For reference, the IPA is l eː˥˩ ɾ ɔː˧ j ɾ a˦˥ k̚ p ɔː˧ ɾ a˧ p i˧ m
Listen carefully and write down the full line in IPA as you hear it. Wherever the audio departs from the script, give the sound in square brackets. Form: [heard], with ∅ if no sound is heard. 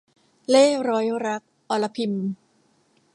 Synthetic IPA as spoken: l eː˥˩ ɾ [ɔː˦˥] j ɾ a˦˥ k̚ [ʔ] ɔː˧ [l] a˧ [pʰ] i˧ m